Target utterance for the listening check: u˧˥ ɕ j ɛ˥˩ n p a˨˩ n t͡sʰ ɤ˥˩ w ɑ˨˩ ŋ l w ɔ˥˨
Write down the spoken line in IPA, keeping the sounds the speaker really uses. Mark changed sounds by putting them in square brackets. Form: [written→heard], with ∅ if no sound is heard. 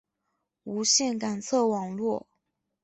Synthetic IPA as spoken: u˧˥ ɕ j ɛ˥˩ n [p→k] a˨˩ n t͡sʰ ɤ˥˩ w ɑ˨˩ ŋ l w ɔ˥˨